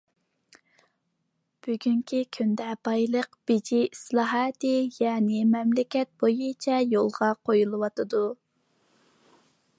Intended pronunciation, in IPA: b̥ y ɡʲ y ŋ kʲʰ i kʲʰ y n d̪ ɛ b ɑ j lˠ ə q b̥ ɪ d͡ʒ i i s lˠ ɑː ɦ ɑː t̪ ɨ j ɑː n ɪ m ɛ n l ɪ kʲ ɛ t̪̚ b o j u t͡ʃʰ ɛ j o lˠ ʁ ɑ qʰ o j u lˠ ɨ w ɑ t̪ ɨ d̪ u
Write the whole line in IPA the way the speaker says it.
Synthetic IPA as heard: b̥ y ɡʲ y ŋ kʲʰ i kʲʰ y n d̪ ɛ b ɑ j lˠ ə q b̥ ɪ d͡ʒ i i s lˠ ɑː ɦ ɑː t̪ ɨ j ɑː n ɪ m ɛ m l ɪ kʲ ɛ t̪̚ b o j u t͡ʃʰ ɛ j o lˠ ʁ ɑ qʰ o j u lˠ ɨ w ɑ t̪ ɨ d̪ u